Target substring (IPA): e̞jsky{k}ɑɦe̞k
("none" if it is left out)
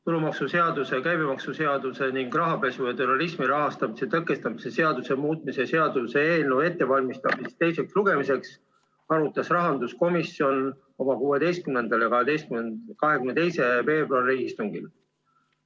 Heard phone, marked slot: k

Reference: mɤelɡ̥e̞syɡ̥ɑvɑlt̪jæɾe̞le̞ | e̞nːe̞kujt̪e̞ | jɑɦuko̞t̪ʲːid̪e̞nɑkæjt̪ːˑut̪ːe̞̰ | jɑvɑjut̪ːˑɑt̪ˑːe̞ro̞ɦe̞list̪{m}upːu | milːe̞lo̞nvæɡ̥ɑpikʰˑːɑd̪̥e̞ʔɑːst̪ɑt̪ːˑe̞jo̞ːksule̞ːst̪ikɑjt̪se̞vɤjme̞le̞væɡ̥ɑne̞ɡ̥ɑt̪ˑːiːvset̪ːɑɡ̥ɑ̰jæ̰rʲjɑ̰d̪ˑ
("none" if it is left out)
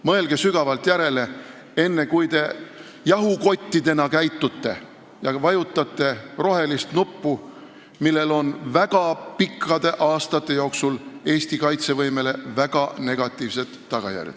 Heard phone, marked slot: n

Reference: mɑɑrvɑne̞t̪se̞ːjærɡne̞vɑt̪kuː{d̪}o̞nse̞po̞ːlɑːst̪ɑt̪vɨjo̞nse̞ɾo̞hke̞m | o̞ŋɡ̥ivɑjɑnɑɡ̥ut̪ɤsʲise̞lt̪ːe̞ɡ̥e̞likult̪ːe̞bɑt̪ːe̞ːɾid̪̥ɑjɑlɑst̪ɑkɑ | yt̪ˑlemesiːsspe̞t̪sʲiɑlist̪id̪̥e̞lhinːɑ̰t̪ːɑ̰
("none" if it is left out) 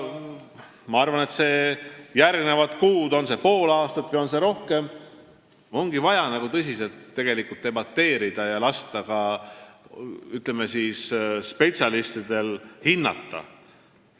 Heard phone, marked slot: d̪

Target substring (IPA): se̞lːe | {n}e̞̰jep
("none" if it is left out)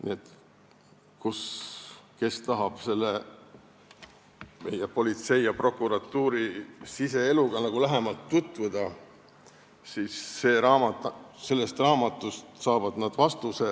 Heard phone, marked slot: m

